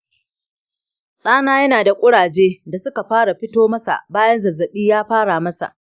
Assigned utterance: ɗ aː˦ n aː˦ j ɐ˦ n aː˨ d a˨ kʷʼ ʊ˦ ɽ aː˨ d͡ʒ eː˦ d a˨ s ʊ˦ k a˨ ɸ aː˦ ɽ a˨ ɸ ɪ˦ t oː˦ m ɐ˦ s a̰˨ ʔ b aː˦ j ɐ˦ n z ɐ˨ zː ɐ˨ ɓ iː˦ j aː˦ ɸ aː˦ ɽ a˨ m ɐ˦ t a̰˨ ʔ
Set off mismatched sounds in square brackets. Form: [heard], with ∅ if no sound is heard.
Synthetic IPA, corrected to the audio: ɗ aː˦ n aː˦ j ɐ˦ n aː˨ d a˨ kʷʼ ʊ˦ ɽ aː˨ d͡ʒ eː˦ d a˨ s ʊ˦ k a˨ ɸ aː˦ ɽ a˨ ɸ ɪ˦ t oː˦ m ɐ˦ s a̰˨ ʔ b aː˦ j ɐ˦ n z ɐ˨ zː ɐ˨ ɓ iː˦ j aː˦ ɸ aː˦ ɽ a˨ m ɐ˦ [s] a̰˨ ʔ

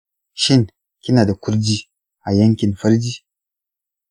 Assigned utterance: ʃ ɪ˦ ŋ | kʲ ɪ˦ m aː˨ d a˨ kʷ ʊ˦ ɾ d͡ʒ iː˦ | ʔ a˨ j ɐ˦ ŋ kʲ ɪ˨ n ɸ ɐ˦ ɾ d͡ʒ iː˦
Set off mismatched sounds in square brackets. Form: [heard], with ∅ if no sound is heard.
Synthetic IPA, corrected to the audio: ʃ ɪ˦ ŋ | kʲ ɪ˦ [n] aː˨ d a˨ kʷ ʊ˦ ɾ d͡ʒ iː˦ | ʔ a˨ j ɐ˦ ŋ kʲ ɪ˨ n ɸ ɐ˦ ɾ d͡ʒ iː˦

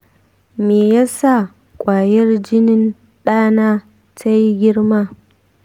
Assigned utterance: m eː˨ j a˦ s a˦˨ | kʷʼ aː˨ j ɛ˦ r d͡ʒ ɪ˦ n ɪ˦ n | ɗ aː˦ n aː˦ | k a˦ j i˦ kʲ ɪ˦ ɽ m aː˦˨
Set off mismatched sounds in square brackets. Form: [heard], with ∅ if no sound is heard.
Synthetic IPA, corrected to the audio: m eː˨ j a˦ s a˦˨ | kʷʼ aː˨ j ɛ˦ r d͡ʒ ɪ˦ n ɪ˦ n | ɗ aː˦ n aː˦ | [t] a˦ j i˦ [ɡʲ] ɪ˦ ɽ m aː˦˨

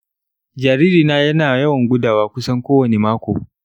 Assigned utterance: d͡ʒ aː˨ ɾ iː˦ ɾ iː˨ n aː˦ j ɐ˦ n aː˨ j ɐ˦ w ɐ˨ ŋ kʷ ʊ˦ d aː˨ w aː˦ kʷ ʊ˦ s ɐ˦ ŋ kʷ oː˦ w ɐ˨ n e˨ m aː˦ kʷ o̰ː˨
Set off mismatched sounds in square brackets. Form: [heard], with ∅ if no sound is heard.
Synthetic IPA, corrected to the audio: d͡ʒ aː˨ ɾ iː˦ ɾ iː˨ n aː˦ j ɐ˦ n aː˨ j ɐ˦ w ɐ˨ ŋ [ɡʷ] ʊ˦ d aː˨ w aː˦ kʷ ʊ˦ s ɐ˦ ŋ kʷ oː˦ w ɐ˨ n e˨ m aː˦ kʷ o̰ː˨

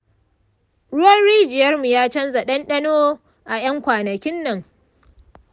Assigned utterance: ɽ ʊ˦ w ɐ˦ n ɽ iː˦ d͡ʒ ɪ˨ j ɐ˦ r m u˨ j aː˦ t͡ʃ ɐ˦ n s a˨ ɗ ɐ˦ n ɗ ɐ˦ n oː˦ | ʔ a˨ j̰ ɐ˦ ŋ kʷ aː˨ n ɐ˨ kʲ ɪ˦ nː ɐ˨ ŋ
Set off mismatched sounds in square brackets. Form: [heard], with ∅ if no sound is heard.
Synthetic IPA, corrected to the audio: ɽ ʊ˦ w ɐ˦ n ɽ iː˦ d͡ʒ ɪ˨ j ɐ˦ r m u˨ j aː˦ t͡ʃ ɐ˦ n [z] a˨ ɗ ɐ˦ n ɗ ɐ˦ n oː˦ | ʔ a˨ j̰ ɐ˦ ŋ kʷ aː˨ n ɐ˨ kʲ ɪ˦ nː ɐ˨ ŋ

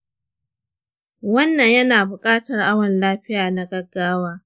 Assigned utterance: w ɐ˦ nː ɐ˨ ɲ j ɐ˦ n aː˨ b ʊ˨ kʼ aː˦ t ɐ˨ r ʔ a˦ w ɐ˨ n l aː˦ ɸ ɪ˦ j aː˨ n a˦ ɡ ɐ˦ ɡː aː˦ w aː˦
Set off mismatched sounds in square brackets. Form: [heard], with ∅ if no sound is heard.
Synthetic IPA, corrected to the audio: w ɐ˦ nː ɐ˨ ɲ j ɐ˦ n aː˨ b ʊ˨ kʼ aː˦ t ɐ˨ r ʔ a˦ w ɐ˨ n l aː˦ ɸ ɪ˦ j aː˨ n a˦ ɡ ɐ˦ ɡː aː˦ w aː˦

